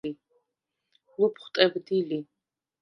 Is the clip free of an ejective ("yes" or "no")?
no